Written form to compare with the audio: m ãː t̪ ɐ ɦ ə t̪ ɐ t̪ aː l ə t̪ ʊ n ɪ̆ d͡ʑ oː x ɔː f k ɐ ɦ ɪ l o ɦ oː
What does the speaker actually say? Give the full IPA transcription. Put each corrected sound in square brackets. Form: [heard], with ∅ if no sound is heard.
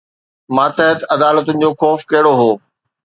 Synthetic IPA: m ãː t̪ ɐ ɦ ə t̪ ɐ [d̪] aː l ə t̪ ʊ n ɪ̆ d͡ʑ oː x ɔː f k ɐ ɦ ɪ [ɽ] o ɦ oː

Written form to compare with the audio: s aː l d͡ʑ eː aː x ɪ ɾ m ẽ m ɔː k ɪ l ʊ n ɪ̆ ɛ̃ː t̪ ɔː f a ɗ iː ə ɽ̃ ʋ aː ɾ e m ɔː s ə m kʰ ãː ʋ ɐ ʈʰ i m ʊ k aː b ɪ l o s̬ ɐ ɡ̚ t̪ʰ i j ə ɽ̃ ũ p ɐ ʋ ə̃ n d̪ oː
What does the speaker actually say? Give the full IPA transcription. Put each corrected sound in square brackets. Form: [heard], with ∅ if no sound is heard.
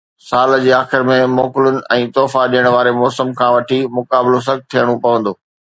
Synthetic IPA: s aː l d͡ʑ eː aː x ɪ ɾ m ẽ m ɔː k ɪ l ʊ n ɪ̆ ɛ̃ː t̪ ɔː f a ɗ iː ə ɽ̃ ʋ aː ɾ e m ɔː s ə m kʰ ãː ʋ ɐ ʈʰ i m ʊ k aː b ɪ l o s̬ ɐ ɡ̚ t̪ʰ i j ə ɽ̃ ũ p ɐ ʋ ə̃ n d̪ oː

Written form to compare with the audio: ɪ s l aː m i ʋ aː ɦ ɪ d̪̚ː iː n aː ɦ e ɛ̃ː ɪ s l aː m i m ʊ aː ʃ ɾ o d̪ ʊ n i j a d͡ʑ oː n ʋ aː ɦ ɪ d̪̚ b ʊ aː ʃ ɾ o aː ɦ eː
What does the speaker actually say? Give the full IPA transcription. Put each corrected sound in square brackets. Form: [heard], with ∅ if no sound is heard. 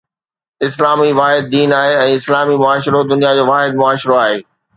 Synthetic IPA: ɪ s l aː m i ʋ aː ɦ ɪ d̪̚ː iː n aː ɦ e ɛ̃ː ɪ s l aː m i m ʊ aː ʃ ɾ o d̪ ʊ n i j a d͡ʑ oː [∅] ʋ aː ɦ ɪ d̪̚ [m] ʊ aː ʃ ɾ o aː ɦ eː

